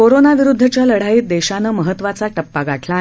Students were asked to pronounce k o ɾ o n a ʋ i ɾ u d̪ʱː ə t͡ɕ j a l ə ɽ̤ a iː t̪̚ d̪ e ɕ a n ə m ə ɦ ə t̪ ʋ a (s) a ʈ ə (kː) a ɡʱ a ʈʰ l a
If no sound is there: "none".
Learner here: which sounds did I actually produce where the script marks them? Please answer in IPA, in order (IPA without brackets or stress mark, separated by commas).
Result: t͡s, pː